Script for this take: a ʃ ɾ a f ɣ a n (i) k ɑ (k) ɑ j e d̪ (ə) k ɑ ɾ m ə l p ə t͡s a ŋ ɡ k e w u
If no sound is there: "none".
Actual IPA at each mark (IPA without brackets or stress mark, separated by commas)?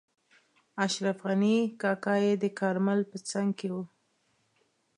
i, k, ə